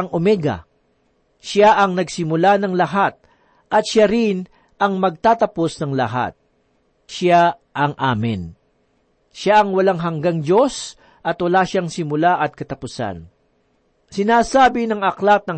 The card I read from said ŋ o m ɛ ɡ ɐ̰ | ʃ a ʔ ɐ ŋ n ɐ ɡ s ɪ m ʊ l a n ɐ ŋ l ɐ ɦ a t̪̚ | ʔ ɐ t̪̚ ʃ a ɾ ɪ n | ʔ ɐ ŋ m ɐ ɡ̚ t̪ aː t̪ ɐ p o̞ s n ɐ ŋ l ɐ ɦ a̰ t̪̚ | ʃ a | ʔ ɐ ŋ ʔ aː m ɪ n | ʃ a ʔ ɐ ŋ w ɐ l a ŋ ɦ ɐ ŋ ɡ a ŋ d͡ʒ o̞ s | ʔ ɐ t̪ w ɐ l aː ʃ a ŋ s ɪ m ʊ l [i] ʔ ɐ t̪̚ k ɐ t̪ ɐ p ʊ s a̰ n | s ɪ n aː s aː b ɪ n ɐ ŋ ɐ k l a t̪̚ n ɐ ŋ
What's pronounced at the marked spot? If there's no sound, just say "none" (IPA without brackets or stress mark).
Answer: a